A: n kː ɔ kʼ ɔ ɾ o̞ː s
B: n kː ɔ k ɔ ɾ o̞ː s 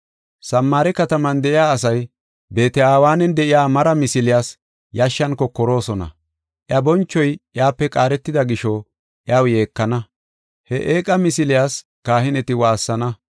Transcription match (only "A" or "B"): B